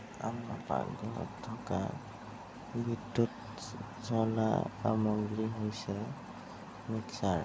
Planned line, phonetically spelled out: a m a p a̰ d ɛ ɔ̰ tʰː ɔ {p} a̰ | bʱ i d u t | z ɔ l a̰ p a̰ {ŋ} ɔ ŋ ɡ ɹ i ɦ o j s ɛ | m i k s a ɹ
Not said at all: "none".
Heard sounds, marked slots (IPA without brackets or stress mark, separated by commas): k, m